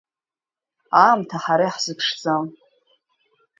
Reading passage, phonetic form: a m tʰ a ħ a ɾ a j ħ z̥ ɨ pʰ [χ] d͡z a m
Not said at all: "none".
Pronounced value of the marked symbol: ʂ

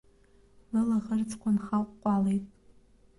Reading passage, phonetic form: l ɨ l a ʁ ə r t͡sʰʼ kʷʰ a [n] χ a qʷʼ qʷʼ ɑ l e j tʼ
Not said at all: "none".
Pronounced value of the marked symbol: n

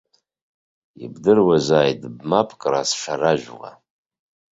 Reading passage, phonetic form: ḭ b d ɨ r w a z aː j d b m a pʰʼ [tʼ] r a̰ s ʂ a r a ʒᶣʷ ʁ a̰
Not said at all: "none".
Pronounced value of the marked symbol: kʼ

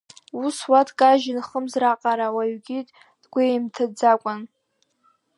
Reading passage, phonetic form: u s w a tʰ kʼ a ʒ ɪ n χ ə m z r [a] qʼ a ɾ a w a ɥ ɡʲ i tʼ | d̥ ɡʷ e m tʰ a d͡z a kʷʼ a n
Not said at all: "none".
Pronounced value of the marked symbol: a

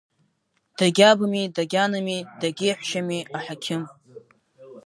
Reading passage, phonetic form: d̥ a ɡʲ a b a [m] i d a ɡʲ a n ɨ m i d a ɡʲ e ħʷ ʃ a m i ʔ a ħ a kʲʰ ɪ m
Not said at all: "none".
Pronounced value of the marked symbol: m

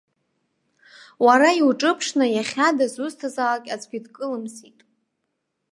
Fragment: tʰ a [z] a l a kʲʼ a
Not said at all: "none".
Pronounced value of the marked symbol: z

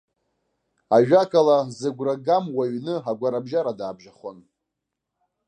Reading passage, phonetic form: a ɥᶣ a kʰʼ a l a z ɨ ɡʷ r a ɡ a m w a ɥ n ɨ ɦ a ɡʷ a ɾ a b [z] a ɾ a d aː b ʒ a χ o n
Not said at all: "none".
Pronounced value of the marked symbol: ʒ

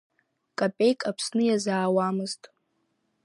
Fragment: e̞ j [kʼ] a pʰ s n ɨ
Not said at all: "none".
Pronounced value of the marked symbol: kʼ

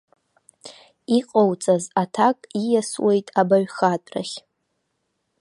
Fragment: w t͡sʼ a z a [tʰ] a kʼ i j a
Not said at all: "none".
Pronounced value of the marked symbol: tʰ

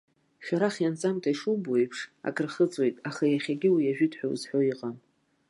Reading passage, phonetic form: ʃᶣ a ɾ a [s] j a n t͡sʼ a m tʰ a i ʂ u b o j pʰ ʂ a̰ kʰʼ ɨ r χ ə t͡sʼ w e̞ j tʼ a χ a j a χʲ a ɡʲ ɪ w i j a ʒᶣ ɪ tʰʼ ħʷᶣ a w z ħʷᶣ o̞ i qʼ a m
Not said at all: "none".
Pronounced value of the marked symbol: χ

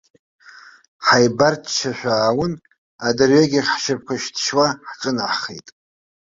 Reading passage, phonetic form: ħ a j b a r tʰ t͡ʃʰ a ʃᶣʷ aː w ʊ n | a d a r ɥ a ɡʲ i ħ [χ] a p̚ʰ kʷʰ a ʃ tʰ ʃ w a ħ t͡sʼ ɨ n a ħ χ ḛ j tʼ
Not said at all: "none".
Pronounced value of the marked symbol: ʃ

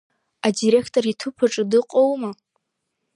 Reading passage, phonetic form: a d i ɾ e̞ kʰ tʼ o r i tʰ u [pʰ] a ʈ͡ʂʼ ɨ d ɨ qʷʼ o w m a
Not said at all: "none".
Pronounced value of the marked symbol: pʰ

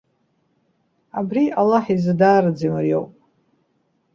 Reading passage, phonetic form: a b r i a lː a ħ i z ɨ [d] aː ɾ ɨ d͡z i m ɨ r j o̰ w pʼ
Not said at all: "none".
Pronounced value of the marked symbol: d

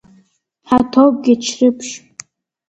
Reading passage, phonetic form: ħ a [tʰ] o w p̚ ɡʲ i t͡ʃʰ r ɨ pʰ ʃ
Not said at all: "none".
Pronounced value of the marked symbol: tʰ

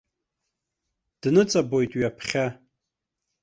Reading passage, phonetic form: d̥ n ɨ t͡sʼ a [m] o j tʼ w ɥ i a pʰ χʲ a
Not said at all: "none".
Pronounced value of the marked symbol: b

